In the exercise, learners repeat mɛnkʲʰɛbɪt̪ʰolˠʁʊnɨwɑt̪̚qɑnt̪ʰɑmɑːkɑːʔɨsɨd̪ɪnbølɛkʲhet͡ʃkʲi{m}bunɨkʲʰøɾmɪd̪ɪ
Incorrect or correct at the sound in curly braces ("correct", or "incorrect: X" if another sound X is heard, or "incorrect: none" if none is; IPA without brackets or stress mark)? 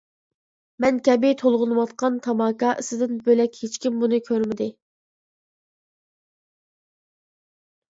correct